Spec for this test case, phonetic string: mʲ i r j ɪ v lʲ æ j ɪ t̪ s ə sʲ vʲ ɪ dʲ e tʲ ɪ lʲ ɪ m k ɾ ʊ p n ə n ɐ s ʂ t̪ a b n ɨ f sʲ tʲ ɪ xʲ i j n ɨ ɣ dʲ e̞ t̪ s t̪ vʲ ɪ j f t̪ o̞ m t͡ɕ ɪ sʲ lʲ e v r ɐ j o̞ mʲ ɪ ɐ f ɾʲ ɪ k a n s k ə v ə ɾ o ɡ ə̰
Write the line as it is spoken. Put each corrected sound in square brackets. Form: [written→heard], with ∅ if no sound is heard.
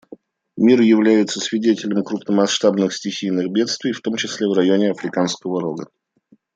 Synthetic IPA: mʲ i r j ɪ v lʲ æ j ɪ t̪ s ə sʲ vʲ ɪ dʲ e tʲ ɪ lʲ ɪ m k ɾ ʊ p n ə [n→m] ɐ s ʂ t̪ a b n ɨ [f→x] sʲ tʲ ɪ xʲ i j n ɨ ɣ [dʲ→bʲ] e̞ t̪ s t̪ vʲ ɪ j f t̪ o̞ m t͡ɕ ɪ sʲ lʲ e v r ɐ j o̞ [mʲ→nʲ] ɪ ɐ f ɾʲ ɪ k a n s k ə v ə ɾ o ɡ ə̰